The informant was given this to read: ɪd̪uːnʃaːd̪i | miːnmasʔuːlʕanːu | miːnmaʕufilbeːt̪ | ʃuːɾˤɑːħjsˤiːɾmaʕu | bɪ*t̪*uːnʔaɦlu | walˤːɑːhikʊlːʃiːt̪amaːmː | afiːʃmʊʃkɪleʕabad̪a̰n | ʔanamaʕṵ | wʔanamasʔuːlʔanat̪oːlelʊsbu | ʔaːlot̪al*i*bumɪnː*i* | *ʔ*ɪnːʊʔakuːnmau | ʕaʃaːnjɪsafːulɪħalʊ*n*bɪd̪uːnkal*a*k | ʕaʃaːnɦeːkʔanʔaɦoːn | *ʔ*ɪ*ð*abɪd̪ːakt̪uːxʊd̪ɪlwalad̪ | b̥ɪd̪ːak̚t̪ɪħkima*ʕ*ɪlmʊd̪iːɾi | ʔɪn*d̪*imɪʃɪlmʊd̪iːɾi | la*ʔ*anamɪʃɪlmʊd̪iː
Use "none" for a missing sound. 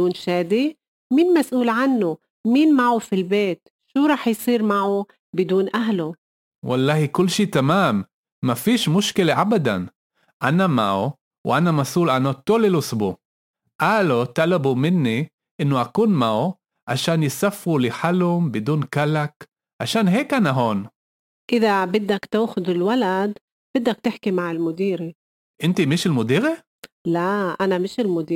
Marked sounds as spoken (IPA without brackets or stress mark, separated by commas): d̪, a, i, ʔ, m, a, ʔ, ð, ʕ, t̪, ʔ